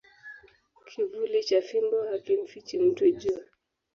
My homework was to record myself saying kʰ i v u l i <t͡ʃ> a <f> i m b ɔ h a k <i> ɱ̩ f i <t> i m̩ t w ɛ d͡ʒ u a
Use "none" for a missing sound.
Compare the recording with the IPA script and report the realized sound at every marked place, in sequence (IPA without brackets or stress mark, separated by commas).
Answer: t͡ʃ, f, i, t͡ʃ